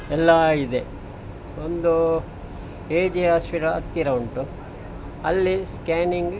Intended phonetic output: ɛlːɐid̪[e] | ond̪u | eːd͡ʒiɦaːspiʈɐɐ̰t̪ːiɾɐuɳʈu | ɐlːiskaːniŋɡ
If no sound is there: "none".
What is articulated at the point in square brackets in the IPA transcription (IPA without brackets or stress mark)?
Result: e